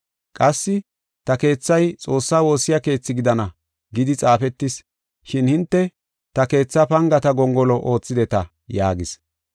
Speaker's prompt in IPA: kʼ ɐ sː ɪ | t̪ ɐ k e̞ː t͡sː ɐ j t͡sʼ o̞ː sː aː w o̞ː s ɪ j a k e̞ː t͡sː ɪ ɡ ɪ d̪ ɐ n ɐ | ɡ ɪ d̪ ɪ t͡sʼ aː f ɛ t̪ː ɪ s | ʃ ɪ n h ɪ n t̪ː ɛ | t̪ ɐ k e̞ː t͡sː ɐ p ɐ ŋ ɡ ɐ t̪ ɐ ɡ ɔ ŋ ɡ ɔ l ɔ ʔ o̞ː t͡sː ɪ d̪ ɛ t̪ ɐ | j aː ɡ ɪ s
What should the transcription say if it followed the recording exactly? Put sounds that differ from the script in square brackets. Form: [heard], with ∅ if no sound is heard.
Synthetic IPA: kʼ ɐ sː ɪ | t̪ ɐ k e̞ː t͡sː ɐ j t͡sʼ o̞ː sː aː w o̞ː s ɪ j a k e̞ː t͡sː ɪ ɡ ɪ d̪ ɐ n ɐ | ɡ ɪ d̪ ɪ t͡sʼ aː f ɛ t̪ː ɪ s | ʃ ɪ n h ɪ n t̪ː ɛ | t̪ ɐ k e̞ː t͡sː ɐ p ɐ ŋ ɡ ɐ t̪ ɐ ɡ ɔ ŋ ɡ ɔ l ɔ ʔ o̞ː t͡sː ɪ d̪ ɛ t̪ ɐ | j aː ɡ ɪ s

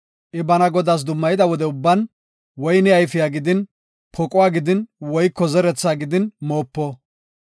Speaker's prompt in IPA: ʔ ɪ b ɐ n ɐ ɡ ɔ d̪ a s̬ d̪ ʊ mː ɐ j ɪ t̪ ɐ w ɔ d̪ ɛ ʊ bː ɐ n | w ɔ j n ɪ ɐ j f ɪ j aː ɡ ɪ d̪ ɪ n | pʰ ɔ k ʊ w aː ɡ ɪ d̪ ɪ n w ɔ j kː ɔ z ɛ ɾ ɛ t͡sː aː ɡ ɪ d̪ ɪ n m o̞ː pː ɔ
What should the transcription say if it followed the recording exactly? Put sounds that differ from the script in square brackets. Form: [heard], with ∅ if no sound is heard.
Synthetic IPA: ʔ ɪ b ɐ n ɐ ɡ ɔ d̪ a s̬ d̪ ʊ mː ɐ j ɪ [d̪] ɐ w ɔ d̪ ɛ ʊ bː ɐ n | w ɔ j n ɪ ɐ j f ɪ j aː ɡ ɪ d̪ ɪ n | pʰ ɔ [kʼ] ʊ w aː ɡ ɪ d̪ ɪ n w ɔ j kː ɔ z ɛ ɾ ɛ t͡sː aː ɡ ɪ d̪ ɪ n m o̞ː pː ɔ

